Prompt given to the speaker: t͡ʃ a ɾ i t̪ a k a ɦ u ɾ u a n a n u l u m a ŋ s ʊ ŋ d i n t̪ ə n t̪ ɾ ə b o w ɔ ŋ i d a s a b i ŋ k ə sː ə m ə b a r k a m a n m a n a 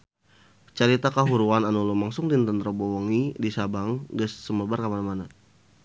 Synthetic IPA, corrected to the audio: t͡ʃ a ɾ i t̪ a k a ɦ u ɾ u a n a n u l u m a ŋ s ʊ ŋ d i n t̪ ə n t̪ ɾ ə b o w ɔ ŋ i d i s a b a ŋ ɡ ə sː ə m ə b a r k a m a n m a n a